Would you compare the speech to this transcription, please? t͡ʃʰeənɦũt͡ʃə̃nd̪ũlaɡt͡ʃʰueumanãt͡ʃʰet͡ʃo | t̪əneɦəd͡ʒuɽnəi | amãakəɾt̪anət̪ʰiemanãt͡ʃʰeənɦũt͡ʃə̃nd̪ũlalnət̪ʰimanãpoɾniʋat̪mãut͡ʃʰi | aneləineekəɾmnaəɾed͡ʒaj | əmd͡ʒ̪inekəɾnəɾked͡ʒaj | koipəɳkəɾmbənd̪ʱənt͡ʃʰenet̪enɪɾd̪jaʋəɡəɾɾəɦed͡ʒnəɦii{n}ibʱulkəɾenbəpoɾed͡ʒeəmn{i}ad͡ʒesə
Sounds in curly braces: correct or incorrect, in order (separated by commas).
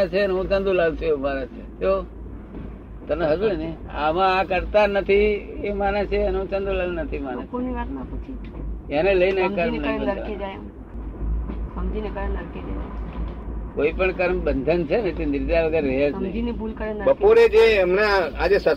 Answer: correct, incorrect